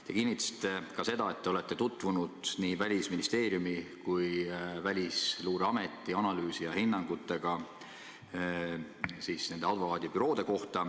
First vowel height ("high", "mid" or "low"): mid